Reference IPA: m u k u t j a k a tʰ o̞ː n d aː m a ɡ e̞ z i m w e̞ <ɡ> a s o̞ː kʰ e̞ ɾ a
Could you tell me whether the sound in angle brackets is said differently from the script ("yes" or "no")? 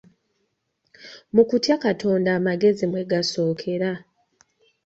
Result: no